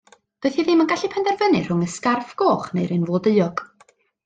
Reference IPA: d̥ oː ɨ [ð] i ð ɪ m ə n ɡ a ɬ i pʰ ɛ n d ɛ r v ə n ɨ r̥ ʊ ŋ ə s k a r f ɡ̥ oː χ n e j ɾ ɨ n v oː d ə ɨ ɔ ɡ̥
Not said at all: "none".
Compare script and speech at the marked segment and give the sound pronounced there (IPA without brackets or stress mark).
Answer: θ